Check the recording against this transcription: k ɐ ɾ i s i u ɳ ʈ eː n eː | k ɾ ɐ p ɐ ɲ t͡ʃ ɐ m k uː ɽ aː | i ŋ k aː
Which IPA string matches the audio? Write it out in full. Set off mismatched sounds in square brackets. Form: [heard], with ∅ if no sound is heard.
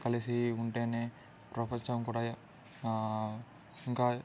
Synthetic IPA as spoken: k ɐ [l] i s i u ɳ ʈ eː n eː | [p] ɾ ɐ p ɐ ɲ t͡ʃ ɐ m k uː ɽ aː | i ŋ k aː